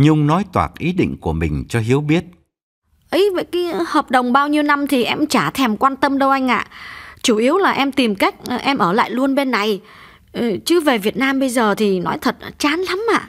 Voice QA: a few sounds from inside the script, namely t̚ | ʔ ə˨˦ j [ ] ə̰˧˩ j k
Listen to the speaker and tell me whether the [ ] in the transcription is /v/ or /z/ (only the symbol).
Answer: v